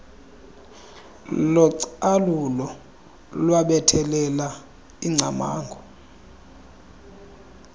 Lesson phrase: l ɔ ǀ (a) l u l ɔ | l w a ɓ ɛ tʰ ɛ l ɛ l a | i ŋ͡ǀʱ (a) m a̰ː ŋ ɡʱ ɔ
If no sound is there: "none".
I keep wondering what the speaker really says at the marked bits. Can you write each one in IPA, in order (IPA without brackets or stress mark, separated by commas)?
a, a